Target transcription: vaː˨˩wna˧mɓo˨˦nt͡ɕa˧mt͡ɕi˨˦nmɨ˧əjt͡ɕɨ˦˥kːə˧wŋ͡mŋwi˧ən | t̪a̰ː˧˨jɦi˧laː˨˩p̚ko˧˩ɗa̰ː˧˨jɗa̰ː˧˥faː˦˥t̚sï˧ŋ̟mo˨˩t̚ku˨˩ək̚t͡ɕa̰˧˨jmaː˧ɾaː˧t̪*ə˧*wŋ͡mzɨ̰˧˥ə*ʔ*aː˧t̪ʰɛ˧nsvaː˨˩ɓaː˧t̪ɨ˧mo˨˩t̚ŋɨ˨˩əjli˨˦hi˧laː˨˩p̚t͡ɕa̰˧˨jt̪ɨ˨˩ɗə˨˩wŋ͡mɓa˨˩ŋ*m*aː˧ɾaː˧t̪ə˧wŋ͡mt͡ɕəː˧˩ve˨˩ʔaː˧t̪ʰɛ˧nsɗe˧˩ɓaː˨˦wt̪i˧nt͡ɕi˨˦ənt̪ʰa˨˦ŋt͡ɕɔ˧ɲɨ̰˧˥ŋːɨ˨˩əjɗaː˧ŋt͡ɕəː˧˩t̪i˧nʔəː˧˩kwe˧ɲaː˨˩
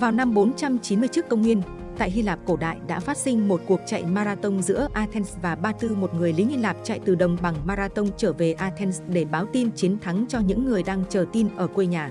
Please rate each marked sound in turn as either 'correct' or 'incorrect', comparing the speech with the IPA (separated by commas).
correct, correct, correct